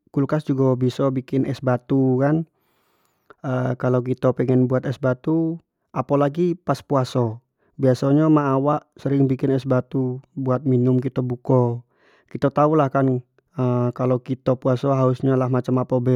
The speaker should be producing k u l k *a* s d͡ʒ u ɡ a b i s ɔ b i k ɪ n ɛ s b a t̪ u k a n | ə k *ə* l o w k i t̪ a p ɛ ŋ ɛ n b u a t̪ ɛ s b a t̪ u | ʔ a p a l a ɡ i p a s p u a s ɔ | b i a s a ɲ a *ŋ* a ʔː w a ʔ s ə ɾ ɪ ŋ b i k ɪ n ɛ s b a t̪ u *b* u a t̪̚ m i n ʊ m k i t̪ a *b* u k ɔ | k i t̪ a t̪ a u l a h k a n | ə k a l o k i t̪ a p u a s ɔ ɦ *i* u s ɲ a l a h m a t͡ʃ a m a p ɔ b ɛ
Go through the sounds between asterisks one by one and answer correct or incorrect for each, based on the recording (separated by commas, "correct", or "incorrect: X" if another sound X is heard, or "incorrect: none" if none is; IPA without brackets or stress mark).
correct, incorrect: a, incorrect: m, correct, correct, incorrect: a